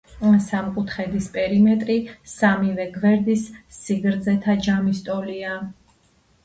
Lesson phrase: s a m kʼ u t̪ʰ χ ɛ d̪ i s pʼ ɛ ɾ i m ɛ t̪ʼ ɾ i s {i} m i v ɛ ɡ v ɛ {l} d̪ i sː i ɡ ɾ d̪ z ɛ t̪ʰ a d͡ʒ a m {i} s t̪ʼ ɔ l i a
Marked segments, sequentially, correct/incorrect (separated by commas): incorrect, incorrect, correct